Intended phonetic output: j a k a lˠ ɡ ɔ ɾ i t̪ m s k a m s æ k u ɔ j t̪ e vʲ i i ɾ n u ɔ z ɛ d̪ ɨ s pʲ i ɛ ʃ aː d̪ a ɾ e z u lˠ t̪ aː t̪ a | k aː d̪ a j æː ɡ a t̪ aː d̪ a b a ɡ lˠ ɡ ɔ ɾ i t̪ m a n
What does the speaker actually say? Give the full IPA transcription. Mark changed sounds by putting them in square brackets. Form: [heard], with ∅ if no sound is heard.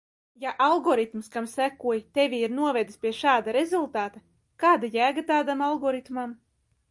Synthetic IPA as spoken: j a [ʔ] a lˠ ɡ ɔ ɾ i t̪ m s k a m s æ k u ɔ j t̪ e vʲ i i ɾ n u ɔ [v] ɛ d̪ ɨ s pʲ i ɛ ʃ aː d̪ a ɾ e z u lˠ t̪ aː t̪ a | k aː d̪ a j æː ɡ a t̪ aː d̪ a [m] a [∅] lˠ ɡ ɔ ɾ i t̪ m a [m]